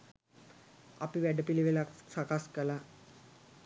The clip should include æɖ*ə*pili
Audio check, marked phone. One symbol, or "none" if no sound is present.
ə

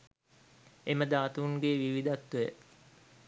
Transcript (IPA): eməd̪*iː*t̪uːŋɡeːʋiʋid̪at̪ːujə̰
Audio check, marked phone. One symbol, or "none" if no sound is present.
aː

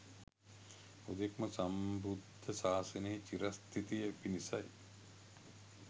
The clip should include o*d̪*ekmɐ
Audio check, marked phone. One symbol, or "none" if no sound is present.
d̪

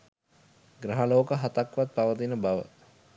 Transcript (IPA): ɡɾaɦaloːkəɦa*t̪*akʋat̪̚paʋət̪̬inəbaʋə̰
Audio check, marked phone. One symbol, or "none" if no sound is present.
t̪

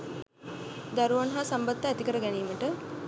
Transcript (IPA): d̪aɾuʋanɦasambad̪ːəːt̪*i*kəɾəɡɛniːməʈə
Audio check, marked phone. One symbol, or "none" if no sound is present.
i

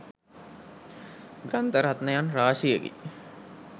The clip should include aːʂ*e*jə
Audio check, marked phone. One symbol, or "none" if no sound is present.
i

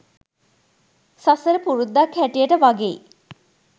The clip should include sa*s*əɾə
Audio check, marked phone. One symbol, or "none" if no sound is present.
s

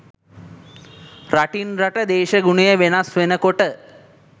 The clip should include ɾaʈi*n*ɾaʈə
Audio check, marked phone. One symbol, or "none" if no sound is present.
n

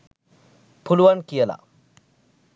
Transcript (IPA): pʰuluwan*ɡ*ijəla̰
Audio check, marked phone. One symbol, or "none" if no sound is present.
k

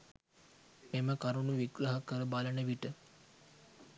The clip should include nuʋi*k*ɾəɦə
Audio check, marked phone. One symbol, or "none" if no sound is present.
ɡ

